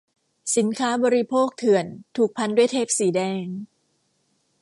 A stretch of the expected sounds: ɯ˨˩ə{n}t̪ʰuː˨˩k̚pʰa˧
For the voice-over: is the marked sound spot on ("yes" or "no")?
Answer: yes